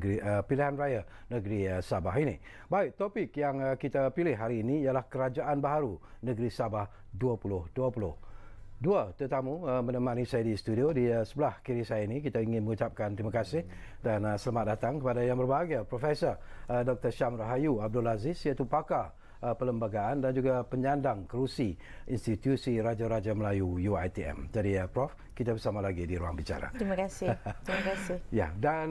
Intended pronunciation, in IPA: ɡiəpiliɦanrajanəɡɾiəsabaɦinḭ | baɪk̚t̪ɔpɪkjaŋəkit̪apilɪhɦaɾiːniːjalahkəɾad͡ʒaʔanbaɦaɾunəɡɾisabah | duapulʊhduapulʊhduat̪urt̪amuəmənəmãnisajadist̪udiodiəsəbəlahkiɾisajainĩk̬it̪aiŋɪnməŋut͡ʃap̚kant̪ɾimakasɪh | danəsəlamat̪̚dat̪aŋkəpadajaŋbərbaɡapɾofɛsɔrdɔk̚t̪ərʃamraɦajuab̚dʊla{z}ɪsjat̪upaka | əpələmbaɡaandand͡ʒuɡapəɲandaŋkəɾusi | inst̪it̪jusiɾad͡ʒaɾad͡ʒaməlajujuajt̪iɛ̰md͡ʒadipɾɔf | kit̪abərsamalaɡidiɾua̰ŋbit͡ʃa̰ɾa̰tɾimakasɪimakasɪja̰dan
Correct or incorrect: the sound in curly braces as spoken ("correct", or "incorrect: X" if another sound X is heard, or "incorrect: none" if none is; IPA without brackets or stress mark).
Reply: correct